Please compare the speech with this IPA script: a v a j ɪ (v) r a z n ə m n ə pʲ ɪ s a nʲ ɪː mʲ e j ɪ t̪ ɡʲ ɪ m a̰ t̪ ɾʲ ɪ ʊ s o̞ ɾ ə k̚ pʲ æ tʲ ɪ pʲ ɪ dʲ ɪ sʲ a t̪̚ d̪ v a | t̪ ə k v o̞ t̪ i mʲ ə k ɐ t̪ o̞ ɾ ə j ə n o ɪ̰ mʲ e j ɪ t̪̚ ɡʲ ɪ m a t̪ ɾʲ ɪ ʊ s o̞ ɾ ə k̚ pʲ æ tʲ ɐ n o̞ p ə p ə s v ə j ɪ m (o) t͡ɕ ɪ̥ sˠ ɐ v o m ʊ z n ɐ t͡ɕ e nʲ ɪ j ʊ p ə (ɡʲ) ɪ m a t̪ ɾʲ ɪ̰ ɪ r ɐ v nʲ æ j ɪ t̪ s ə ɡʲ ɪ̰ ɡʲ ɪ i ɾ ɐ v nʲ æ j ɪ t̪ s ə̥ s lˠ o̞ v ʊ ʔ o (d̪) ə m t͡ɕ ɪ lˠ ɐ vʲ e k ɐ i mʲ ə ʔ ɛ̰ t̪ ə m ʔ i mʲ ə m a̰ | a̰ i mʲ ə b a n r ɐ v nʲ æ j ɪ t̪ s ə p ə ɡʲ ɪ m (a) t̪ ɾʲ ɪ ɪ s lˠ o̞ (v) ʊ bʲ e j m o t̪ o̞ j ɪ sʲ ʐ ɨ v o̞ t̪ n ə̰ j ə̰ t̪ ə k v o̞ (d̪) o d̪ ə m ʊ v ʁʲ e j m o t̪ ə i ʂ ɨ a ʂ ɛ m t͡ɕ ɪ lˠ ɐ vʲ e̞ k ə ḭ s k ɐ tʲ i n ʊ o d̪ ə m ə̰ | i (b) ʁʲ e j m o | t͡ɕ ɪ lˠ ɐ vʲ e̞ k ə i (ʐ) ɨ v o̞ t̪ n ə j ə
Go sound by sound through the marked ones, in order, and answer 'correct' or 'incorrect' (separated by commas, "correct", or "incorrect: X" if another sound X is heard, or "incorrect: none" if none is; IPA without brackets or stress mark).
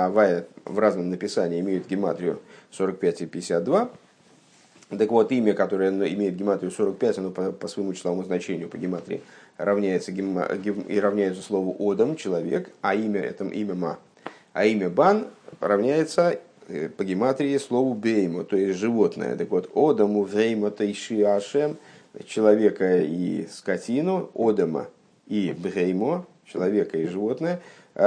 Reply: correct, incorrect: u, correct, correct, correct, correct, incorrect: t̪, correct, correct